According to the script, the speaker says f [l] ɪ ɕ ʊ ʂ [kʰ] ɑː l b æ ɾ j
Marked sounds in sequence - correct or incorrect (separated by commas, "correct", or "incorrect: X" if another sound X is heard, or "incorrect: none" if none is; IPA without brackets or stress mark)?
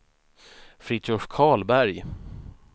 incorrect: ɾ, correct